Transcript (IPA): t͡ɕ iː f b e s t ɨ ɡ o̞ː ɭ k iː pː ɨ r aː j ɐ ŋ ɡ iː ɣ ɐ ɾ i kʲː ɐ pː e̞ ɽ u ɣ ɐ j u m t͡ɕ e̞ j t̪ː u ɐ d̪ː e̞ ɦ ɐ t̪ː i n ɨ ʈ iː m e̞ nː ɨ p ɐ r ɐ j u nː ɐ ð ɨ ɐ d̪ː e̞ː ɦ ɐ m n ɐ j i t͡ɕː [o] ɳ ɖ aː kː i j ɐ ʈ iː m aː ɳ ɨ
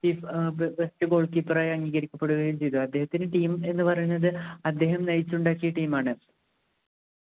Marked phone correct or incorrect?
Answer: incorrect